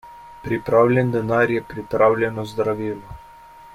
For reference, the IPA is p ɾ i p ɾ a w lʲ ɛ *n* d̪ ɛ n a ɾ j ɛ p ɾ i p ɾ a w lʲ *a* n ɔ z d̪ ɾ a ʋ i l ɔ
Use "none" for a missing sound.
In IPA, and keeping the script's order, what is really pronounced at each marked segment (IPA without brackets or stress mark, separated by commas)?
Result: n, ɛ